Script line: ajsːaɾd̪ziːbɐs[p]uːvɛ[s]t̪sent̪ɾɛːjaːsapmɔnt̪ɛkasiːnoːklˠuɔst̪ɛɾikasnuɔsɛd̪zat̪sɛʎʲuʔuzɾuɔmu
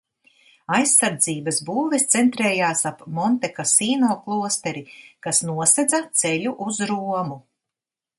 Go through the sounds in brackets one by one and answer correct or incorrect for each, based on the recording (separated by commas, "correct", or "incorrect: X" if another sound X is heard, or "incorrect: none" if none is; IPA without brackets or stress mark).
incorrect: b, correct